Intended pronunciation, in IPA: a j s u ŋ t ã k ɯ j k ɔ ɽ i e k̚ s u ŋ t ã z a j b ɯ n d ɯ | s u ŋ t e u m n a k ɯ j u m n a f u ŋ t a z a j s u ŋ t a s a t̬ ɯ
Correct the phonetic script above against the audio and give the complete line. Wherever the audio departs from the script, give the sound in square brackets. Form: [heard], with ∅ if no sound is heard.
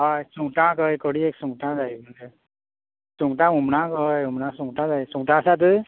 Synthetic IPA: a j s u ŋ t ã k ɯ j k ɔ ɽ i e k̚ s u ŋ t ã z a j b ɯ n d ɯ | s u ŋ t [a] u m n a k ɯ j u m n a [s] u ŋ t a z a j s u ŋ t a s a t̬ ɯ